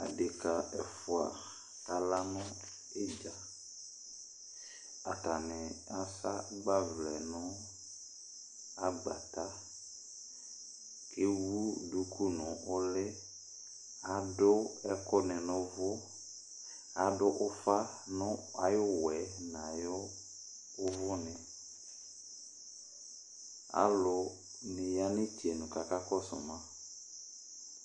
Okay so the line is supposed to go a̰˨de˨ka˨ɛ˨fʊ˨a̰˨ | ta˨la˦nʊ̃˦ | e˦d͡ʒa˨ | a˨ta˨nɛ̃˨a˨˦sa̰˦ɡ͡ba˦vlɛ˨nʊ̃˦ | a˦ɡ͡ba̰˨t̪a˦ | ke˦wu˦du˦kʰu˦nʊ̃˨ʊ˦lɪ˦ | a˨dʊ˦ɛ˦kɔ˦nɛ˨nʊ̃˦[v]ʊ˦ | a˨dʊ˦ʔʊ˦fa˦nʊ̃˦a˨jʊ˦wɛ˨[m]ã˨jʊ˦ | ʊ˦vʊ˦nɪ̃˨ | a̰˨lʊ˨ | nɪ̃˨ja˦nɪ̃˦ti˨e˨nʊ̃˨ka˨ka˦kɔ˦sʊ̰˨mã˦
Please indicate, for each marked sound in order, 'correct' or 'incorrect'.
correct, incorrect

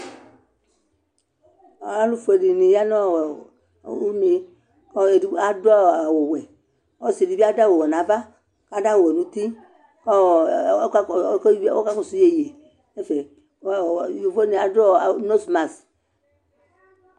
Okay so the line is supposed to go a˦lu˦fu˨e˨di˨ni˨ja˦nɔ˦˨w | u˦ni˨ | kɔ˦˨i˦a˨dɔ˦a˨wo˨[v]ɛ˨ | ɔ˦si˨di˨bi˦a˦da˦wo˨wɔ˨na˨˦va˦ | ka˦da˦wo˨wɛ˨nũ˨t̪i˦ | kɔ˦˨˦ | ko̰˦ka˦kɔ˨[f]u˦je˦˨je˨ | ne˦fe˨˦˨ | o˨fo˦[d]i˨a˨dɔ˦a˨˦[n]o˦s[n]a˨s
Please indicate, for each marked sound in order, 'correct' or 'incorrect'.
incorrect, incorrect, incorrect, correct, incorrect

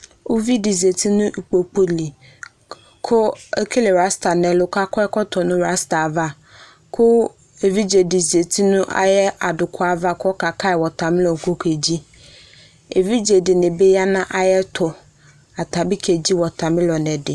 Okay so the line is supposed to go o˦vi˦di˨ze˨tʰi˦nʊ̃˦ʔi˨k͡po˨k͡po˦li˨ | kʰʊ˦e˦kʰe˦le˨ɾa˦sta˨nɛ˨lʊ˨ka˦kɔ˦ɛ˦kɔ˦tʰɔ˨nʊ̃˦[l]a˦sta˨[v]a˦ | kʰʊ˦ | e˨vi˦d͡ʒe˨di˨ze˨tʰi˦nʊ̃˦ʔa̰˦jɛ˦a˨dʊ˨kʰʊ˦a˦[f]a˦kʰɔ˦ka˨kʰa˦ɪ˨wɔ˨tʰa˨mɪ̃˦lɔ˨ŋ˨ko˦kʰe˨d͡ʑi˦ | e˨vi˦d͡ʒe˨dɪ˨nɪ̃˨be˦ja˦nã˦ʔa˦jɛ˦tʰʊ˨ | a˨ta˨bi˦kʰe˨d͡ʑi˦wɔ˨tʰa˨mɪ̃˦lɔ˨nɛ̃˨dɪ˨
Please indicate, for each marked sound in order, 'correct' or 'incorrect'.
incorrect, correct, incorrect

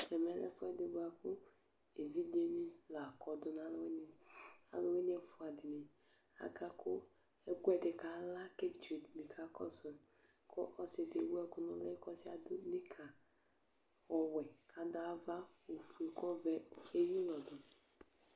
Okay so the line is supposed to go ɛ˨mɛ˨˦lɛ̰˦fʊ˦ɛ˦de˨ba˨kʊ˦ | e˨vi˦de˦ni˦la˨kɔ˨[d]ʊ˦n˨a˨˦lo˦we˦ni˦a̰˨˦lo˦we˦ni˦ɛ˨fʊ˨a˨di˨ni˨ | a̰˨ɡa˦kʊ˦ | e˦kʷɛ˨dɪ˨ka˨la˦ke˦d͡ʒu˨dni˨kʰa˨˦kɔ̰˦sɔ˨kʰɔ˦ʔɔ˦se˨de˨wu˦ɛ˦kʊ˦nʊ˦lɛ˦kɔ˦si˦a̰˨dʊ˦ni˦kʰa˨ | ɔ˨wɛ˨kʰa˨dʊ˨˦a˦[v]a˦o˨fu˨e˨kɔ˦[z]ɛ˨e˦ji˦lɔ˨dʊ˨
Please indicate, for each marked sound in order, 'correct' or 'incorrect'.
correct, correct, incorrect

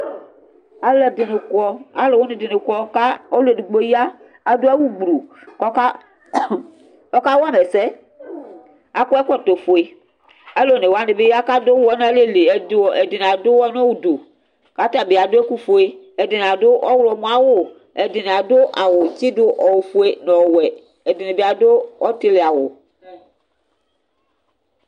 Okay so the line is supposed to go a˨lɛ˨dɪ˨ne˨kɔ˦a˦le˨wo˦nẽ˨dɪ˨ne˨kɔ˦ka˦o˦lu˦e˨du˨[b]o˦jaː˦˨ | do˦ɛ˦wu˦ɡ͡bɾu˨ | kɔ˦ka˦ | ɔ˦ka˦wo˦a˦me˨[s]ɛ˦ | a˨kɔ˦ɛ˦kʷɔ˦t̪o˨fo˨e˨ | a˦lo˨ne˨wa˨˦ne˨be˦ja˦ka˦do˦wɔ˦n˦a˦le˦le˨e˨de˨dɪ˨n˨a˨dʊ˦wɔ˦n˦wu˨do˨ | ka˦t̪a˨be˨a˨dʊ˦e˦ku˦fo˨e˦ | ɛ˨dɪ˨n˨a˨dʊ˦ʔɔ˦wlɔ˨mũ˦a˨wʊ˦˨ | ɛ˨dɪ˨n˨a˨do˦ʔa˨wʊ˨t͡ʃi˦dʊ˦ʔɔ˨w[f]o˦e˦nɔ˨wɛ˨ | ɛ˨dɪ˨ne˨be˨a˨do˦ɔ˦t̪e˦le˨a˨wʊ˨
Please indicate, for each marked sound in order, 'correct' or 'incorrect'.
incorrect, correct, correct

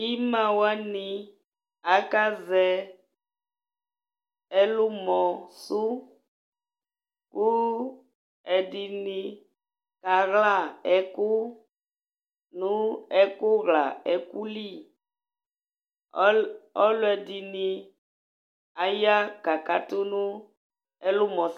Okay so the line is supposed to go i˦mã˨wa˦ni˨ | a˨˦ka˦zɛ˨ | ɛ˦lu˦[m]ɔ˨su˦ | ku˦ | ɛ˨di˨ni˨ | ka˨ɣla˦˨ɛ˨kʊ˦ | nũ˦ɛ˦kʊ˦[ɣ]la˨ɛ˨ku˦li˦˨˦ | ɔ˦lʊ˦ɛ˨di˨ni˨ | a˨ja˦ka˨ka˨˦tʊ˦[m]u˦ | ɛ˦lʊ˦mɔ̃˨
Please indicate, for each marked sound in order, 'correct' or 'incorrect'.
correct, correct, incorrect

